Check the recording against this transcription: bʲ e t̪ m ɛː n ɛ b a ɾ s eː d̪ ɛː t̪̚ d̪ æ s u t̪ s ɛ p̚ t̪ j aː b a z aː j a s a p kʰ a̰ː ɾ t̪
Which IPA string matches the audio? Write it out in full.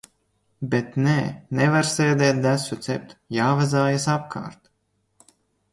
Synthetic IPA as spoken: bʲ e t̪ n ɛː n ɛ v a ɾ s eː d̪ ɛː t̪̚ d̪ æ s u t̪ s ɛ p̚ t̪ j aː v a z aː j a s a p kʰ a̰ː ɾ t̪